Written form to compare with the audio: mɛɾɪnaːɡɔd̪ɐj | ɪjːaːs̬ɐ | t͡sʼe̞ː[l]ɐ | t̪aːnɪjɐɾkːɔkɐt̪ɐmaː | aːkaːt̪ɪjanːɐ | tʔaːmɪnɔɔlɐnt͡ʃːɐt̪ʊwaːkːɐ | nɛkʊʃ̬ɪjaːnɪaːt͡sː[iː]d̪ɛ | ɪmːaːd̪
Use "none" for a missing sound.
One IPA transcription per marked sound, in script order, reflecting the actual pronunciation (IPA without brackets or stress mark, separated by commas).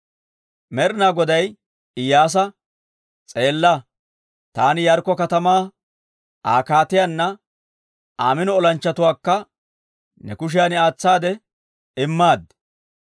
lː, aː